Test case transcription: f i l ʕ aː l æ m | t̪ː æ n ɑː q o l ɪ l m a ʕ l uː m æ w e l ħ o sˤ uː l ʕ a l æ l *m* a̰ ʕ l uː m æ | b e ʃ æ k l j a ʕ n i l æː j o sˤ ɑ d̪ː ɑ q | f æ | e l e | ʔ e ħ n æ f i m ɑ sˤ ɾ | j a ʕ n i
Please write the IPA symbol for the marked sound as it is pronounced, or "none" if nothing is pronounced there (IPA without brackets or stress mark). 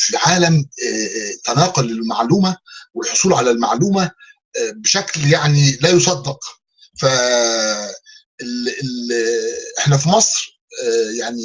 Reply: m